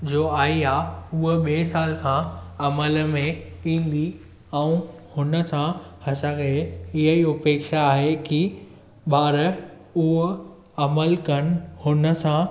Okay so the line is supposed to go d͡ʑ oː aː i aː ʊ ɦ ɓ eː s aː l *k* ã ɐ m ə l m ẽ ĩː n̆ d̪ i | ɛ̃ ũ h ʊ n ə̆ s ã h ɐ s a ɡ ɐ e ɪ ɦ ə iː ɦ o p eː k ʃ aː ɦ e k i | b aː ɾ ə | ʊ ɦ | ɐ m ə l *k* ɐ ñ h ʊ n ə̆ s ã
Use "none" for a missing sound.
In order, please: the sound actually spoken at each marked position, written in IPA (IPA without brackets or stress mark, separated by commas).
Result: kʰ, k